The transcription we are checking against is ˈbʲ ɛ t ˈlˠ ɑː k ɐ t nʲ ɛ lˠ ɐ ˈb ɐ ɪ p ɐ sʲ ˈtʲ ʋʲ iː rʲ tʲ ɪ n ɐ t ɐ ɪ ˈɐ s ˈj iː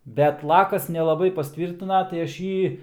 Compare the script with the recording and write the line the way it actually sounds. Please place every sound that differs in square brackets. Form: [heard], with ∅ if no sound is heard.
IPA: ˈbʲ ɛ t ˈlˠ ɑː k ɐ [s] nʲ ɛ lˠ ɐ ˈb ɐ ɪ p ɐ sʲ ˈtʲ ʋʲ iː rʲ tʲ ɪ n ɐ t ɐ ɪ ˈɐ [ʃ] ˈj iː